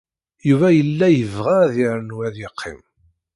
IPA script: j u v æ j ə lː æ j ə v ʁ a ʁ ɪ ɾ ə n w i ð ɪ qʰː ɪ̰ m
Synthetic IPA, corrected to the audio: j u v æ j ə lː æ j ə v ʁ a ð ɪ ɾ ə n w æ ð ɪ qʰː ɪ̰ m